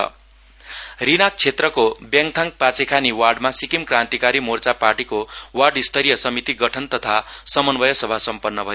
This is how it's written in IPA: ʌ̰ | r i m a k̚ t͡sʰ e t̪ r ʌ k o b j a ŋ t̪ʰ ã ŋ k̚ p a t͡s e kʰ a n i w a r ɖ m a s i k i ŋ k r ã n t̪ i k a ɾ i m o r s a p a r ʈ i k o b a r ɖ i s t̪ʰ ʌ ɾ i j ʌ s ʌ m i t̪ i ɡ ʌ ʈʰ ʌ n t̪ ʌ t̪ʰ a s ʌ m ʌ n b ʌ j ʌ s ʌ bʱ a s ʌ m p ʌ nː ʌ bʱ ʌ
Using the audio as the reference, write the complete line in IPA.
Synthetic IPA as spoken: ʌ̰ | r i n a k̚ t͡sʰ e t̪ r ʌ k o b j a ŋ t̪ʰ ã ŋ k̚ p a t͡s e kʰ a n i w a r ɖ m a s i k i m k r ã n t̪ i k a ɾ i m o r t͡s a p a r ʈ i k o w a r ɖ i s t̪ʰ ʌ ɾ i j ʌ s ʌ m i t̪ i ɡ ʌ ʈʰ ʌ n t̪ ʌ t̪ʰ a s ʌ m ʌ n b ʌ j ʌ s ʌ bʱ a s ʌ m p ʌ nː ʌ bʱ ʌ